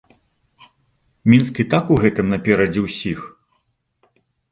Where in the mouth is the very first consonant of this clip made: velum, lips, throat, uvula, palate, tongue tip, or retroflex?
lips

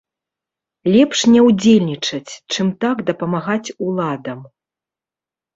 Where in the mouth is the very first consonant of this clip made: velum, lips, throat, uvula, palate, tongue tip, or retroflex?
tongue tip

